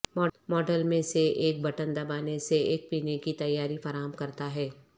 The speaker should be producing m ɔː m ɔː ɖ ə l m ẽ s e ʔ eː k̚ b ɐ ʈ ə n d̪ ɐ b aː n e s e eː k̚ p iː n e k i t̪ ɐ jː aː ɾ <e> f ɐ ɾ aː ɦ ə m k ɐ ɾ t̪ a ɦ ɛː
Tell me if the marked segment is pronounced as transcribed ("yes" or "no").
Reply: no